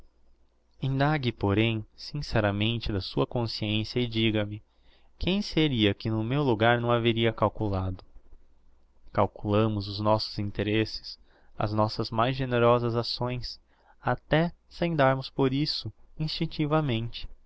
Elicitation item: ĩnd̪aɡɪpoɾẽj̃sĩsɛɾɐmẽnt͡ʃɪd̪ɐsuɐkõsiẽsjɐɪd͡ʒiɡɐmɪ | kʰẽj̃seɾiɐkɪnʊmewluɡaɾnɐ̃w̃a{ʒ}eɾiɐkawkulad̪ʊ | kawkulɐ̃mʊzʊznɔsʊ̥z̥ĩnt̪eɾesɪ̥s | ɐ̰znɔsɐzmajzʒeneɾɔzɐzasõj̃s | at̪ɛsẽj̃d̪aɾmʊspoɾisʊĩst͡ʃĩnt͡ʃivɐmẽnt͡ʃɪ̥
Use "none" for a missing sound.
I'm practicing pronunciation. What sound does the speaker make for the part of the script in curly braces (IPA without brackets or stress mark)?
v